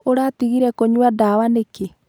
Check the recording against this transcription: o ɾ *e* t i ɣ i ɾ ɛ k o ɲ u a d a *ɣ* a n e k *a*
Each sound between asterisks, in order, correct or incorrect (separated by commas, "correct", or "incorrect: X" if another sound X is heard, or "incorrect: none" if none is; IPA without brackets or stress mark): incorrect: a, incorrect: w, incorrect: e